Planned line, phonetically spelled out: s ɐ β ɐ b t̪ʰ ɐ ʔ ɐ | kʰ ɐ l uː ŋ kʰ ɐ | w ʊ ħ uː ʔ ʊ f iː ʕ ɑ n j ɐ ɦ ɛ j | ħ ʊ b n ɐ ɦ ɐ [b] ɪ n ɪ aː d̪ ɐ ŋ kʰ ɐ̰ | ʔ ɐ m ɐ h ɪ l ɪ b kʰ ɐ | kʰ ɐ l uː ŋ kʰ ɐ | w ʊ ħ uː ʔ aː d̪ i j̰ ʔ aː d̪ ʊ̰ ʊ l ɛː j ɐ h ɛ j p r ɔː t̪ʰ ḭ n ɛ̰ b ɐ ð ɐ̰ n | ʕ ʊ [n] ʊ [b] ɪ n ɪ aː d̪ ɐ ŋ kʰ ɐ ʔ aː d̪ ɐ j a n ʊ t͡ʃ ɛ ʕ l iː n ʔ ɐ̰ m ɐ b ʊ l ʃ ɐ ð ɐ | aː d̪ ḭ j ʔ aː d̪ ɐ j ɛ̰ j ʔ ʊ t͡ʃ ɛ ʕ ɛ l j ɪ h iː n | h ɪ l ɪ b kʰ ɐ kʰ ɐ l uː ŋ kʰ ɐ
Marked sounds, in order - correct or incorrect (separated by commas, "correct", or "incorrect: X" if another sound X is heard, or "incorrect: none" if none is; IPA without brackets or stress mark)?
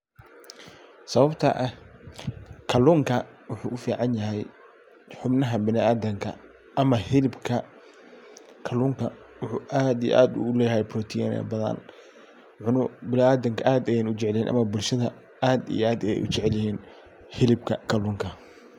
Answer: correct, correct, correct